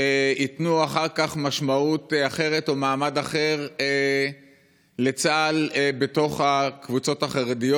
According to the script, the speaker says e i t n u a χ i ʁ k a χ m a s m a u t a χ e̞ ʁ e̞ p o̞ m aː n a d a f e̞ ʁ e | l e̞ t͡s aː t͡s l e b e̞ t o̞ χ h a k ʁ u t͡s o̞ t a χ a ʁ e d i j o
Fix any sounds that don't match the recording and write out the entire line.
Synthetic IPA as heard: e i t n u a χ a ʁ k a χ m a ʃ m a u t a χ e̞ ʁ e̞ t o̞ m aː m a d a χ e̞ ʁ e | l e̞ t͡s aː l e b e̞ t o̞ χ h a k v u t͡s o̞ t a χ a ʁ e d i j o